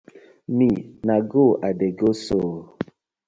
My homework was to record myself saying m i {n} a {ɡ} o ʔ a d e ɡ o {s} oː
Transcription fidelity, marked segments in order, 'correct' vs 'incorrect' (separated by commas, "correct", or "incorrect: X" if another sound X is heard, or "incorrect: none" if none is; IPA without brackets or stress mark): correct, correct, correct